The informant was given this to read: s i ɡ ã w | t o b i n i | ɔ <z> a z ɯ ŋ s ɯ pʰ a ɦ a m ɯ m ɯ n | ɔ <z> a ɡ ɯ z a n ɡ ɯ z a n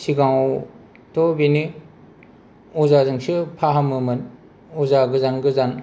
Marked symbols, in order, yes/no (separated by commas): yes, yes